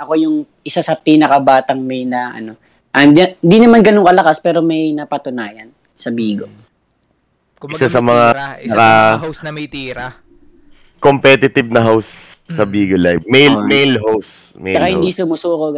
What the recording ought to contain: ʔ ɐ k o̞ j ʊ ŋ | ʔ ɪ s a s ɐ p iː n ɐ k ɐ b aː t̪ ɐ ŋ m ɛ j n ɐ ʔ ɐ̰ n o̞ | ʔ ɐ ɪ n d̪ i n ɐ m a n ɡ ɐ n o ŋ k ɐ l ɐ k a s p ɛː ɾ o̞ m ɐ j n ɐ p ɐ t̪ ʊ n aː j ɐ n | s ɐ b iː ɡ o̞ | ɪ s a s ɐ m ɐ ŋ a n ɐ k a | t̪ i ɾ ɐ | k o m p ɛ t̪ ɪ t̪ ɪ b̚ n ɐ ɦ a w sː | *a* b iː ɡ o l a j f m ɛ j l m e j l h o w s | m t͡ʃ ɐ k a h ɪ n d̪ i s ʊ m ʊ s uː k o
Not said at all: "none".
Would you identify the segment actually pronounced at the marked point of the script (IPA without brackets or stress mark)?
ɐ